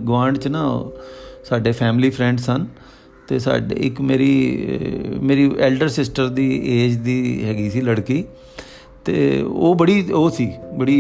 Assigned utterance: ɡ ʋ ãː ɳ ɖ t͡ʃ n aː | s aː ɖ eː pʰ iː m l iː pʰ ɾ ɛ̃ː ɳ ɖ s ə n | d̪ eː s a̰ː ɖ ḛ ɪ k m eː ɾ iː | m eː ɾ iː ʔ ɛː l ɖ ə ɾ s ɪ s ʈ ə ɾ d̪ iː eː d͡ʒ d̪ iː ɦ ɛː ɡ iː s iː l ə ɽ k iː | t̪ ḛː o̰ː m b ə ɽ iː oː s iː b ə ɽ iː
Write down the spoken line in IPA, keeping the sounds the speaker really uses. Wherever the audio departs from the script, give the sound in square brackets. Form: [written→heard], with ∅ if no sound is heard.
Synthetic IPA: ɡ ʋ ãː ɳ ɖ t͡ʃ n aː | s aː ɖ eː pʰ [iː→ɛː] m l iː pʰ ɾ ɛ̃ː ɳ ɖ s ə n | [d̪→t̪] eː s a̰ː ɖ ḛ ɪ k m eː ɾ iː | m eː ɾ iː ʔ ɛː l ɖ ə ɾ s ɪ s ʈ ə ɾ d̪ iː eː d͡ʒ d̪ iː ɦ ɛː ɡ iː s iː l ə ɽ k iː | t̪ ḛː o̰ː [m→∅] b ə ɽ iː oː s iː b ə ɽ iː